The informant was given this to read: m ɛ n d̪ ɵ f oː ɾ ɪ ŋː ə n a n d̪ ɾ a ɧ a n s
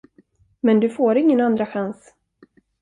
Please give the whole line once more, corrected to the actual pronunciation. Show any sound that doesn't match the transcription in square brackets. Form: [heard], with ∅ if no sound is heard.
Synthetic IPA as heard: m ɛ n d̪ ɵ f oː ɾ ɪ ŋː ə n a n d̪ ɾ a ɧ a n s